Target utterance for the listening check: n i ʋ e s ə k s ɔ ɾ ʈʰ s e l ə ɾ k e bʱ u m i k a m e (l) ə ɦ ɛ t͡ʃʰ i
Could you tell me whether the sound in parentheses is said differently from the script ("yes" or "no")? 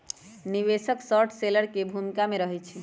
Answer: yes